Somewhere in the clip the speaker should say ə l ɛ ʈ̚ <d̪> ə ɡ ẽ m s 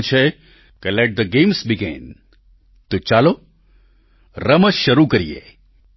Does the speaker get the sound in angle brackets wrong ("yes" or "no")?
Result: no